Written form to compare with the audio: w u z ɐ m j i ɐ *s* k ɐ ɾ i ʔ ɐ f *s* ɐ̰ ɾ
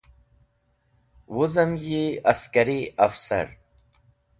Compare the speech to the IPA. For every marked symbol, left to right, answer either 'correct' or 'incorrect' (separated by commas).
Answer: correct, correct